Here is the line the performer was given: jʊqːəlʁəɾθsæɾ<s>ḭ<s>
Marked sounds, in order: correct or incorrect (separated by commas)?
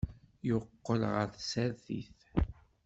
incorrect, incorrect